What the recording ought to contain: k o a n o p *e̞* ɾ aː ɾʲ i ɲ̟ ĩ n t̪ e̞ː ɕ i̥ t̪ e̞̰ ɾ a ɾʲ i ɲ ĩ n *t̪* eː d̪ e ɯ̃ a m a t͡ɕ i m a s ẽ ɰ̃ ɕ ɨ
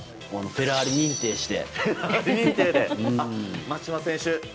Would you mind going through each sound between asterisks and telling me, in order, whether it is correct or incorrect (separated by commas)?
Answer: correct, correct